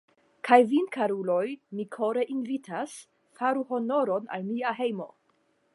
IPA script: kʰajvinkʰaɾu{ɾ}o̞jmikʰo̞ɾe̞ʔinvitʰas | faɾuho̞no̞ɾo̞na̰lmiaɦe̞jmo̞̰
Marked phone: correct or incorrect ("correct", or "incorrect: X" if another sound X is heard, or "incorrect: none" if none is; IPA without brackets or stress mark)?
incorrect: l